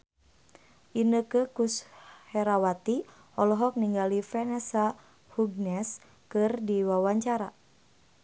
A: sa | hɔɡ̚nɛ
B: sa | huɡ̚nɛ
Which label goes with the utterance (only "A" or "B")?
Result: B